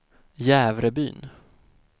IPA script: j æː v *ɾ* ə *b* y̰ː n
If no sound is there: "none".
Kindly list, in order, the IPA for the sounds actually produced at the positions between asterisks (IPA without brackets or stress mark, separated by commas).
ɾ, b